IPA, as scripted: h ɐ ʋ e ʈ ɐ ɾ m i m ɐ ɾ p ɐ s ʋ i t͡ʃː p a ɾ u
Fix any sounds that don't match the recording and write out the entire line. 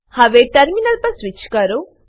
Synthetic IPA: h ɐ ʋ e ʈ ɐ ɾ m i n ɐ l p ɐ s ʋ i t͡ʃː k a ɾ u